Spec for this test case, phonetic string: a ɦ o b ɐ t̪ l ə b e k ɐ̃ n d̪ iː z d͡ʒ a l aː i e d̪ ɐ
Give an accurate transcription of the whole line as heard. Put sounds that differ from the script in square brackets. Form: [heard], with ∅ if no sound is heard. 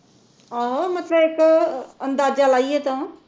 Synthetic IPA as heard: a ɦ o [m] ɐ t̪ l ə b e k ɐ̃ n d̪ [aː] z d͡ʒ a l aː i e [t̪] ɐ